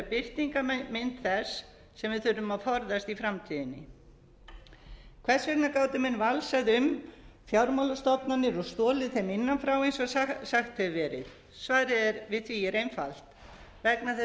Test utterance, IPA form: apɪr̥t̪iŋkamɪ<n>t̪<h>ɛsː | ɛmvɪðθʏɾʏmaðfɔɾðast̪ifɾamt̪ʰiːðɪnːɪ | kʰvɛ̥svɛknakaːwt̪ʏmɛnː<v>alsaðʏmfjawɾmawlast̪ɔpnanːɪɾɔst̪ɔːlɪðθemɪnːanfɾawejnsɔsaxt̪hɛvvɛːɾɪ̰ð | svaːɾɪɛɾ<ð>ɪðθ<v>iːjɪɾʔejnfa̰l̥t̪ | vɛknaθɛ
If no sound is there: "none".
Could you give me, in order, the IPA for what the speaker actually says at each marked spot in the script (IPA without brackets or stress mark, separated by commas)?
n, θ, v, v, v